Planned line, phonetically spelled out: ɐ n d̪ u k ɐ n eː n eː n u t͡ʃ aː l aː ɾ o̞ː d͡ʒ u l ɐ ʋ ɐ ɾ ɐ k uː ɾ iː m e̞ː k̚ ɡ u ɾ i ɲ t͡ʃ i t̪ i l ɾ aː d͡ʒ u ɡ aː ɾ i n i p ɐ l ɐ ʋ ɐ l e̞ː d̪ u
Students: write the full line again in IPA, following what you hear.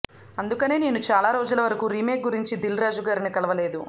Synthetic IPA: ɐ n d̪ u k ɐ n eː n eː n u t͡ʃ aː l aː ɾ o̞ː d͡ʒ u l ɐ ʋ ɐ ɾ ɐ k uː ɾ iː m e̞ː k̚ ɡ u ɾ i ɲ t͡ʃ i d̪ i l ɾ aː d͡ʒ u ɡ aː ɾ i n i k ɐ l ɐ ʋ ɐ l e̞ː d̪ u